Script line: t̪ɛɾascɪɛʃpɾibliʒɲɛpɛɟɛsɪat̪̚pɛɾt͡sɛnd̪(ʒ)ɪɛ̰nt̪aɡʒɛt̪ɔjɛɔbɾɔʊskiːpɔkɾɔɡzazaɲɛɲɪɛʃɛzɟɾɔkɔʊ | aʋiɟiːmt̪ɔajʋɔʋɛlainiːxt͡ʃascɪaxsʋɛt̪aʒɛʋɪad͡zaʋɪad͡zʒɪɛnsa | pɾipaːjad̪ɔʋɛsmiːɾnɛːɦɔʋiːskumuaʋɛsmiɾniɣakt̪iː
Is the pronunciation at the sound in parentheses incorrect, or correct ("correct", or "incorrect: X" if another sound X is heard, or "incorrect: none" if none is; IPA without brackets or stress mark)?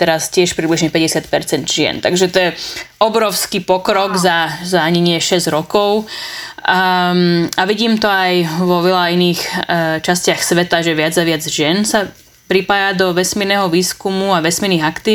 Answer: correct